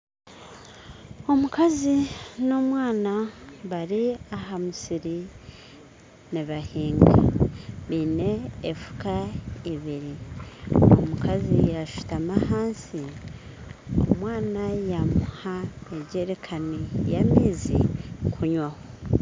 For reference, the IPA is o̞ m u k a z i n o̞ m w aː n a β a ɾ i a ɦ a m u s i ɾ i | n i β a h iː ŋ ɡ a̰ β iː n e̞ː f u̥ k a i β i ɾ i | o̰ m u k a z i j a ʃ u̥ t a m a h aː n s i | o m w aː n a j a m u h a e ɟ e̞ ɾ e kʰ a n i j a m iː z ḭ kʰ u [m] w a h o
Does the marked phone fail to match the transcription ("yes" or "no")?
yes